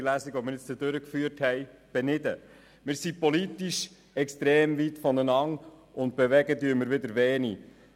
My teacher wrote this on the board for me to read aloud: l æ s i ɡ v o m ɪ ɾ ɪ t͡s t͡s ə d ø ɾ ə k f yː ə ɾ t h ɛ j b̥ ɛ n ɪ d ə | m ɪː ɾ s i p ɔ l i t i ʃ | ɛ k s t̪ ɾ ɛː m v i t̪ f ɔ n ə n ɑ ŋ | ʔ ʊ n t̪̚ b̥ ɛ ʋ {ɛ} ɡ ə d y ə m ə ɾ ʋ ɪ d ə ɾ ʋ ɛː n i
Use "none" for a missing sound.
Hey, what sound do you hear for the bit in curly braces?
ɛ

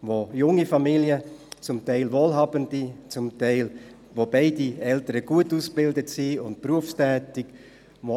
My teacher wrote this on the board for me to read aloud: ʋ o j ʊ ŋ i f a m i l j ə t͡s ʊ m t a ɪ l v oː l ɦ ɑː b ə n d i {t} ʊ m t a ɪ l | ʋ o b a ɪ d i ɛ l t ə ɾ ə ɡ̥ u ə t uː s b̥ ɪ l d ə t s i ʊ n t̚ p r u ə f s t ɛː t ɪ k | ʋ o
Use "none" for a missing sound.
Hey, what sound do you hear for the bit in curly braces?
t͡s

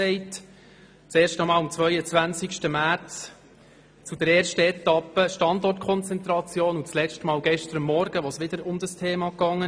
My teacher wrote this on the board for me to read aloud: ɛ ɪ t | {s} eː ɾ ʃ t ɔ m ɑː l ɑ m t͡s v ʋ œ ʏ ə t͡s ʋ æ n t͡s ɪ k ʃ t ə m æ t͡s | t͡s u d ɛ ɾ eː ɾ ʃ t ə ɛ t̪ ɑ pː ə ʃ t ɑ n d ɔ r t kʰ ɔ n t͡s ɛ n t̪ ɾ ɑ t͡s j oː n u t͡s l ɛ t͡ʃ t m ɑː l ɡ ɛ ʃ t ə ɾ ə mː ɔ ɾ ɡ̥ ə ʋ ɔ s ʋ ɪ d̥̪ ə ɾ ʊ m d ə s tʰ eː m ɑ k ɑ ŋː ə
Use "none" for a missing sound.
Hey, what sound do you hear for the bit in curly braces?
t͡s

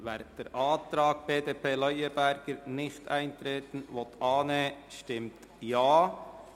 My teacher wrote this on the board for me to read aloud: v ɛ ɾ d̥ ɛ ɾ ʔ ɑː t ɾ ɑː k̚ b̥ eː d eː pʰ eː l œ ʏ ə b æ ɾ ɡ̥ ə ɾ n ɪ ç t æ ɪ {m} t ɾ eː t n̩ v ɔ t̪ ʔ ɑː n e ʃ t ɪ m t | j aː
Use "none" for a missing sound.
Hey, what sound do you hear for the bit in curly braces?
n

